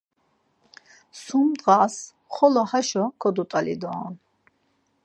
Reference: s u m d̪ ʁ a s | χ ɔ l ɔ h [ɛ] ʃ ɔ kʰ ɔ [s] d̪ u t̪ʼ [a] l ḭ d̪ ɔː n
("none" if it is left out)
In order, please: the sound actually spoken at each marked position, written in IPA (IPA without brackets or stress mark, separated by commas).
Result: a, none, a